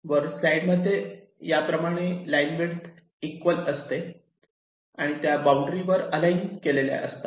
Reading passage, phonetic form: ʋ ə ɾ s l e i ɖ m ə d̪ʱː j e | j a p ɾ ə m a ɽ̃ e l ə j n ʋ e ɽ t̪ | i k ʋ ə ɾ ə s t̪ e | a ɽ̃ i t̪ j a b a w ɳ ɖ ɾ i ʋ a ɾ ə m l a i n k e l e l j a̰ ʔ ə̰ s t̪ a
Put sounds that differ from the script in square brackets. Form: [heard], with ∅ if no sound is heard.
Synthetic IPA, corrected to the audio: ʋ ə ɾ s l [a] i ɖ m ə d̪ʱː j e | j a p ɾ ə m a ɽ̃ e l [a] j n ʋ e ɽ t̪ | i k ʋ ə [l] ə s t̪ e | a ɽ̃ i t̪ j a b a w ɳ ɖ ɾ i ʋ [ə] ɾ ə [∅] l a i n k e l e l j a̰ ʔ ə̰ s t̪ a